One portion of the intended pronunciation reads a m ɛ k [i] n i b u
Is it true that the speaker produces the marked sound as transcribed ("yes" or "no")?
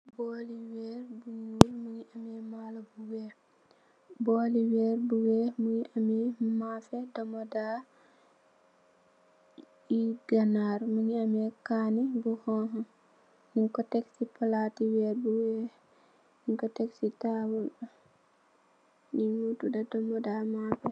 no